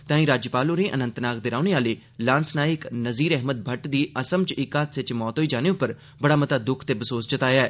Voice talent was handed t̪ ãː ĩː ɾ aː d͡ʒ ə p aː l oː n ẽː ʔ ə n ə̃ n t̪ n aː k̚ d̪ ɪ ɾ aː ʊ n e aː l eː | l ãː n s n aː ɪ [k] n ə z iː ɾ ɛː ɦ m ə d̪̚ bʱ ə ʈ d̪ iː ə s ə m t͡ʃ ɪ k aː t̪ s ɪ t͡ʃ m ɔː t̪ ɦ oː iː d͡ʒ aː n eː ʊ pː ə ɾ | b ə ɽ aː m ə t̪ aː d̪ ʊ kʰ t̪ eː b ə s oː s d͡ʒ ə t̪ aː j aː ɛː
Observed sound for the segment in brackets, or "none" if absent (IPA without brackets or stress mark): k